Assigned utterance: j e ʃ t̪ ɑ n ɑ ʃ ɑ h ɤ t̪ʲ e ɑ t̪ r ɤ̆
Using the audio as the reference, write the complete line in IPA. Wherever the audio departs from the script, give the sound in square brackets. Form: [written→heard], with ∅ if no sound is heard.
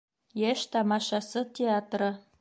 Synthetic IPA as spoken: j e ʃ t̪ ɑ [n→m] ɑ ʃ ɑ [h→s] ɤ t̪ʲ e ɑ t̪ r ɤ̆